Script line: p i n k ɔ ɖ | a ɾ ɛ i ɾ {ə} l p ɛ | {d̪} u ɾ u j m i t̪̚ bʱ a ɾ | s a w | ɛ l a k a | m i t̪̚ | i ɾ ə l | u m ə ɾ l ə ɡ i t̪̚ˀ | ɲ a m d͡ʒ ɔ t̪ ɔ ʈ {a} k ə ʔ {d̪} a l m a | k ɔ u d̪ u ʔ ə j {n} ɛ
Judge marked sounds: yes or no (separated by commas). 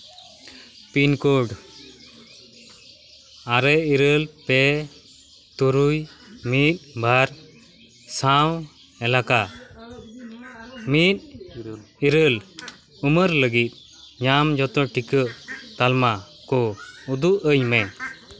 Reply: yes, no, no, no, no